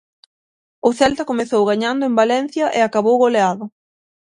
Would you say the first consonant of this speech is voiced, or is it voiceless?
voiceless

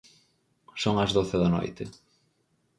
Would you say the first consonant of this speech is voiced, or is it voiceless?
voiceless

